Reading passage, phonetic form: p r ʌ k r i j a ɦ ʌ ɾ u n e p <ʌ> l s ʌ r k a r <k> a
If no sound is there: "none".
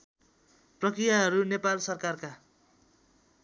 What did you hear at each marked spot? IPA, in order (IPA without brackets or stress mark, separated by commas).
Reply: a, k